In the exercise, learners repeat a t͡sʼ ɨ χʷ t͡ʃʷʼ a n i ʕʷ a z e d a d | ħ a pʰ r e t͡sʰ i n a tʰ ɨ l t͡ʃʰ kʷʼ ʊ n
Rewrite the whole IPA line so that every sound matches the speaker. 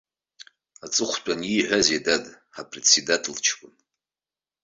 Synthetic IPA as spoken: a t͡sʼ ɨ χʷ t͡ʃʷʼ a n i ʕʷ a z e d a d | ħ a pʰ r e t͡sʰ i d a tʰ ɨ l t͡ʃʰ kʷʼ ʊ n